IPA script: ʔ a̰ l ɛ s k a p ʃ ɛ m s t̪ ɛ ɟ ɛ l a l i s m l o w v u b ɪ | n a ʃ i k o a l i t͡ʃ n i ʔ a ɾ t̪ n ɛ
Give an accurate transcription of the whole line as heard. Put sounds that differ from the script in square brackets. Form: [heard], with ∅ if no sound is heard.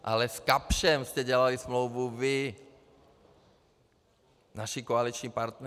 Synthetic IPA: ʔ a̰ l ɛ s k a p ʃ ɛ m s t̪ ɛ ɟ ɛ l a l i s m l o w v u [v] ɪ | n a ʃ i k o a l i t͡ʃ [ɲ] i [p] a ɾ t̪ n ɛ